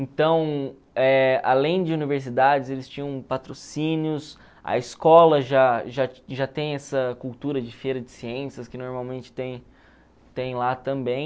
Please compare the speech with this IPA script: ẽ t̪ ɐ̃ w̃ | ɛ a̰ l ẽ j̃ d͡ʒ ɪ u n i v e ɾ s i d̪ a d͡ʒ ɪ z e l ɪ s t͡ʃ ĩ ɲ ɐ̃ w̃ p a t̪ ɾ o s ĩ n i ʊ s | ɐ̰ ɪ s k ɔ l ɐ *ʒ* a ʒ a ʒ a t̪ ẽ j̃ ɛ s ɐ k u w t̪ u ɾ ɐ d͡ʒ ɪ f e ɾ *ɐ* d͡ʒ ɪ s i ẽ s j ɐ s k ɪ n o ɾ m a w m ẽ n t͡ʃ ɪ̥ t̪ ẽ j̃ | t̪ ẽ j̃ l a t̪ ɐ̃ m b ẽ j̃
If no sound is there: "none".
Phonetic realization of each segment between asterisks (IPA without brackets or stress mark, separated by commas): ʒ, ɐ